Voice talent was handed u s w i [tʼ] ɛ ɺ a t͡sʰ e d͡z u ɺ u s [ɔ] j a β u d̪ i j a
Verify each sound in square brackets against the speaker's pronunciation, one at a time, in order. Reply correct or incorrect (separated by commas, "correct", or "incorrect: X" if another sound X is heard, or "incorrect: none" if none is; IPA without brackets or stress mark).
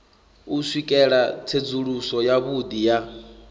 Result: incorrect: kʼ, correct